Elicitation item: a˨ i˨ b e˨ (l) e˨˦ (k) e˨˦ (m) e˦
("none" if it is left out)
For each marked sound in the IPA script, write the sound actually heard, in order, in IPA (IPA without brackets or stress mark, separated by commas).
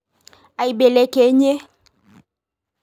l, k, ɲ